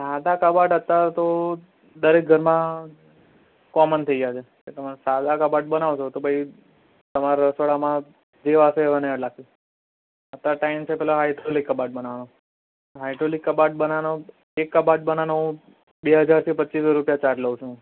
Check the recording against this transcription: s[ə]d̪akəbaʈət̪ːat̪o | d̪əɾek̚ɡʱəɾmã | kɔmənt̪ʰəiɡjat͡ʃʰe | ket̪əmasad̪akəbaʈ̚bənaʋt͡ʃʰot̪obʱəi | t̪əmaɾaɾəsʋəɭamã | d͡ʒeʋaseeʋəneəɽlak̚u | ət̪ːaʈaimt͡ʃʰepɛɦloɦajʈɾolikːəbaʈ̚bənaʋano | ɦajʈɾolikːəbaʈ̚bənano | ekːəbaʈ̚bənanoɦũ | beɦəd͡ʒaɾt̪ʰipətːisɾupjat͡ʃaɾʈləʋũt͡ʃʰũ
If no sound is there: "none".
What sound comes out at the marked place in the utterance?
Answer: a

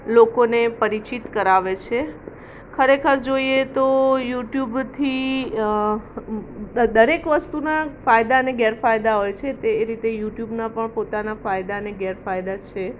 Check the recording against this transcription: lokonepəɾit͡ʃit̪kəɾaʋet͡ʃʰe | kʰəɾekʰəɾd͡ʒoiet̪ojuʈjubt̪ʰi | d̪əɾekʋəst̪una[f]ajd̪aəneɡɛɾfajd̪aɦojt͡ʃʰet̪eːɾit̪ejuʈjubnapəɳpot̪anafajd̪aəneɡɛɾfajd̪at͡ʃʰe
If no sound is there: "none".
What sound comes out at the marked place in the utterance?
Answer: f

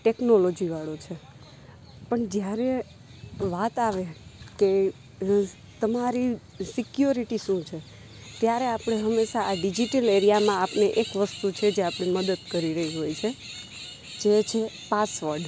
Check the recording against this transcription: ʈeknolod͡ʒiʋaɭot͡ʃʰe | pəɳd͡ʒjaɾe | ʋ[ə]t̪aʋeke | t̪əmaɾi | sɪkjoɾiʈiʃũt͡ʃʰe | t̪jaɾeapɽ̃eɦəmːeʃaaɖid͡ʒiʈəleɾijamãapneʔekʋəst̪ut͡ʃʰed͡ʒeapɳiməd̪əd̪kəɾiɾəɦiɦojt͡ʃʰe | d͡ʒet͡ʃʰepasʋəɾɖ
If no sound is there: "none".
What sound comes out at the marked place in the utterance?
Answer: a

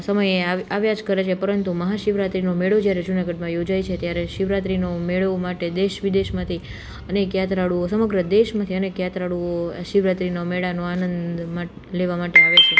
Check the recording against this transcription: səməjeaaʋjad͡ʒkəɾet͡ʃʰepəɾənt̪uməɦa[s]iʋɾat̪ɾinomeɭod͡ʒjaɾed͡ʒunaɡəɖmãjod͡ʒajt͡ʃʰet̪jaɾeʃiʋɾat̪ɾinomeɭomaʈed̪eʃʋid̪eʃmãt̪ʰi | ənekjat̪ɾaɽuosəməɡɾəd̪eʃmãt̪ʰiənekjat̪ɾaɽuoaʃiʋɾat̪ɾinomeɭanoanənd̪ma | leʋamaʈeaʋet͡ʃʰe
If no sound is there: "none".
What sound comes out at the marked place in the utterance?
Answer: ʃ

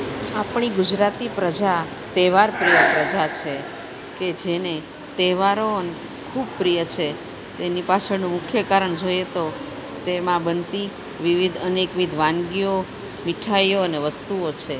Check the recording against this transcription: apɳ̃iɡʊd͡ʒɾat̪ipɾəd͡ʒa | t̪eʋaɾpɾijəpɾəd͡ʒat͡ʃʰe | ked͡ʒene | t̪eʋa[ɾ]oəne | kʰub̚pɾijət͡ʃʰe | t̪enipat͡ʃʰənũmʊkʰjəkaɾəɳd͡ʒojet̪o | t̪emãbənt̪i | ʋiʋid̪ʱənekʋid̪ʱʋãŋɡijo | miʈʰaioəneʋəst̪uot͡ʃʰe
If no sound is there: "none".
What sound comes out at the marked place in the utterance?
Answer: ɾ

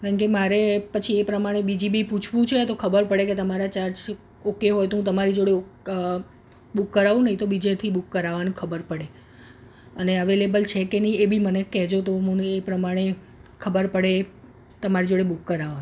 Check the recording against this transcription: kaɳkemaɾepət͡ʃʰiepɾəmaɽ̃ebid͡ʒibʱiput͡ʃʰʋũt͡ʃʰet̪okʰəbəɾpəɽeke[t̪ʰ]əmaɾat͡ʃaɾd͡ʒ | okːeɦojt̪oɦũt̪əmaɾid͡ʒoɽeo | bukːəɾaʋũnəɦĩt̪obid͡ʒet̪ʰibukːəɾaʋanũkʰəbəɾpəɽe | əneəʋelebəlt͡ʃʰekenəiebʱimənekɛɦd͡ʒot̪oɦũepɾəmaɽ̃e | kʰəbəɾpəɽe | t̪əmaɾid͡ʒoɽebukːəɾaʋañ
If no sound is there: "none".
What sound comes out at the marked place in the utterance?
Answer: t̪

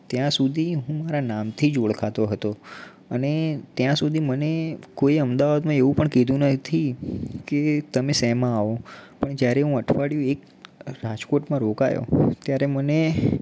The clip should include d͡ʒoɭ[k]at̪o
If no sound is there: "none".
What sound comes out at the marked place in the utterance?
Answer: kʰ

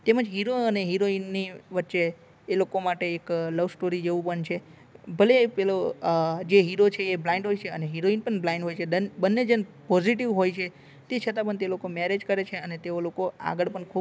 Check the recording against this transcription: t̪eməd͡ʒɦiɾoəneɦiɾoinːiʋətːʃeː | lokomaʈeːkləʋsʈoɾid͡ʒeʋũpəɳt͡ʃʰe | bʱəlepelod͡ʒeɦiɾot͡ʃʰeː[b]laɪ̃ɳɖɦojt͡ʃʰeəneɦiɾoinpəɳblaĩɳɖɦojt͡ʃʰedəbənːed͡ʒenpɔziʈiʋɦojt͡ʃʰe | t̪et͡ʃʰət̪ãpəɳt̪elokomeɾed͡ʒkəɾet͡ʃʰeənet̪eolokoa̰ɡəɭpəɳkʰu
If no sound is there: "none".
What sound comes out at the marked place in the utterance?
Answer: b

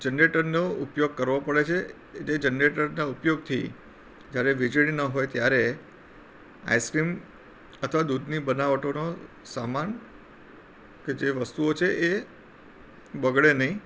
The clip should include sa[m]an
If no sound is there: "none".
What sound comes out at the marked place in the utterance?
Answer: m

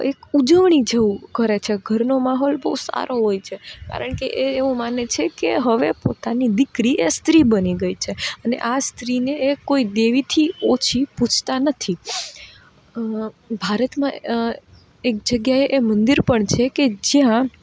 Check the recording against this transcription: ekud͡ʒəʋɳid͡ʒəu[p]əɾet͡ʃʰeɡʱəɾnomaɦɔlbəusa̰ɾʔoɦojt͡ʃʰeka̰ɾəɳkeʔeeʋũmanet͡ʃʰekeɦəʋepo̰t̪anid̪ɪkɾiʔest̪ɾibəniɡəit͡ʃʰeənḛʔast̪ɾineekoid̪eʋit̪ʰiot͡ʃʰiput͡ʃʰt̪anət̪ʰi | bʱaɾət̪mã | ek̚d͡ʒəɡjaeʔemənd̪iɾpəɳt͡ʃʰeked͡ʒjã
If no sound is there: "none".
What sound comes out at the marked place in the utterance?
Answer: k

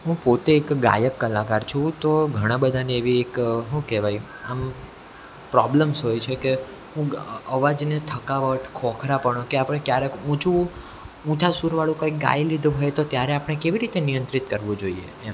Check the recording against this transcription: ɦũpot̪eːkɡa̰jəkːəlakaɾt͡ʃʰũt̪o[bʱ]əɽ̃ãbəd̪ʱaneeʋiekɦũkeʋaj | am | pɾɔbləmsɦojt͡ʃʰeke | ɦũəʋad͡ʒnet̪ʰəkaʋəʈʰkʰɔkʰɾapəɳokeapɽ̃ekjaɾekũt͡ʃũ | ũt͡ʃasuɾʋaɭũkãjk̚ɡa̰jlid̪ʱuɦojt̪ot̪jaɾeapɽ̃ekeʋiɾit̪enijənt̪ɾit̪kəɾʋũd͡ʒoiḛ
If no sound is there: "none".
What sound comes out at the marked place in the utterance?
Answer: ɡʱ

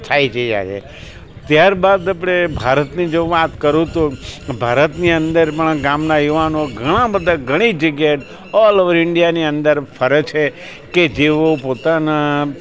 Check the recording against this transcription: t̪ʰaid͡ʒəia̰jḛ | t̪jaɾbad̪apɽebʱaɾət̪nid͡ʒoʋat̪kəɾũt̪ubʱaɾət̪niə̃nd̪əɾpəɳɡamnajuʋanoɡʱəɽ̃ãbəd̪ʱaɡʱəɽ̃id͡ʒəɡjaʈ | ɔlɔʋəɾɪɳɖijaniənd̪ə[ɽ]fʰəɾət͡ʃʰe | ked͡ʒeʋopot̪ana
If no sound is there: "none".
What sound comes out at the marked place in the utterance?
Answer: ɾ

